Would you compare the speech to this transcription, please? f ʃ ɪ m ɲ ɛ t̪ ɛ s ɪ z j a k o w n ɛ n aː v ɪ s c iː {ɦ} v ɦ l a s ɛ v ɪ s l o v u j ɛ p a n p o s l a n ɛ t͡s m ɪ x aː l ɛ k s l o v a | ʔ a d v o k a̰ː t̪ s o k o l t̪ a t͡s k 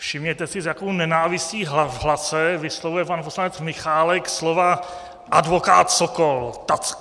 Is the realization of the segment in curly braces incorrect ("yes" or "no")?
no